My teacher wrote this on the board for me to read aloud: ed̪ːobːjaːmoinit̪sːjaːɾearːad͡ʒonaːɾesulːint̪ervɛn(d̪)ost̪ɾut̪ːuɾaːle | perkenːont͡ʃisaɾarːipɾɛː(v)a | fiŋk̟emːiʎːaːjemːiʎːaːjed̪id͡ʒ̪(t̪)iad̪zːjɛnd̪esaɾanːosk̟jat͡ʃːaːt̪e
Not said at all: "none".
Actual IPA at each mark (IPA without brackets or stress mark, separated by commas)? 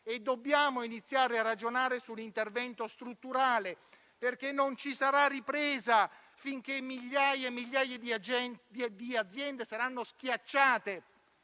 t̪, z, d̪